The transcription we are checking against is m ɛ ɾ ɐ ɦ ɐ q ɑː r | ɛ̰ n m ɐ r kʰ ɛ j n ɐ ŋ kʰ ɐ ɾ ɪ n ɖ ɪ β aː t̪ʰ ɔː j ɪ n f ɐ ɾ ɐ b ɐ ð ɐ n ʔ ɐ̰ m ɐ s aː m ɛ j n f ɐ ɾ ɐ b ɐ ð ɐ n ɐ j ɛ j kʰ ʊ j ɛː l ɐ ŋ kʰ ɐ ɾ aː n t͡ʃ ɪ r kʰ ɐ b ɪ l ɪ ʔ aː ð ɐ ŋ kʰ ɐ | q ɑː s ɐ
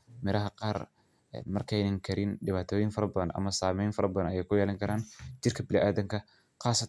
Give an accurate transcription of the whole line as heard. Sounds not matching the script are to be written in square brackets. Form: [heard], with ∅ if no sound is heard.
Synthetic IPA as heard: m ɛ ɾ ɐ ɦ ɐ q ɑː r | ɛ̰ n m ɐ r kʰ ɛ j n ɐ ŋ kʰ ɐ ɾ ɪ n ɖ ɪ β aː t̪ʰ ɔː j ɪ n f ɐ ɾ ɐ b ɐ ð ɐ n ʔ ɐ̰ m ɐ s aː m ɛ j n f ɐ ɾ ɐ b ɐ ð ɐ n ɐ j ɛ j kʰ ʊ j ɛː l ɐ ŋ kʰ ɐ ɾ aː n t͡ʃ ɪ r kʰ ɐ b ɪ l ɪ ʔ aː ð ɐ ŋ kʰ ɐ | q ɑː s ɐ